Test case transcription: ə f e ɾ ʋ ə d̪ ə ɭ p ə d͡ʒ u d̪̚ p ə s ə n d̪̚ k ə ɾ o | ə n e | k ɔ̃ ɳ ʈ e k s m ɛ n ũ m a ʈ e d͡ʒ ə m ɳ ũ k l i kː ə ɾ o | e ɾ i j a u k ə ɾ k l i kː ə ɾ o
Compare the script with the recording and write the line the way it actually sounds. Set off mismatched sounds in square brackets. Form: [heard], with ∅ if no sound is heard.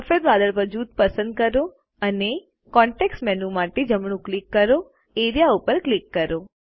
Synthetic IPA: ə f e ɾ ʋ [a] d̪ ə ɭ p ə d͡ʒ u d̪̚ p ə s ə n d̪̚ k ə ɾ o | ə n e | k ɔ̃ ɳ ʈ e k s m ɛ n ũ m a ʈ e d͡ʒ ə m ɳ ũ k l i kː ə ɾ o | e ɾ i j a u [p] ə ɾ k l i kː ə ɾ o